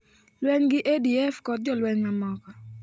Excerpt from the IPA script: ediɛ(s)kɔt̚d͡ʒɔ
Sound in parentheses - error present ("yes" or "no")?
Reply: yes